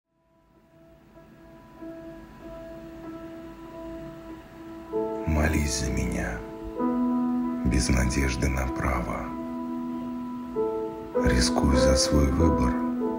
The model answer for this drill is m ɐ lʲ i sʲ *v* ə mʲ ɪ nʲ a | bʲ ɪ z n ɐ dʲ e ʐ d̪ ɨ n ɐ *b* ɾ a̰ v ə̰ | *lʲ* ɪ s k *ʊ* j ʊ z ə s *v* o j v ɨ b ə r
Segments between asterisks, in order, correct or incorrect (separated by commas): incorrect, incorrect, incorrect, incorrect, correct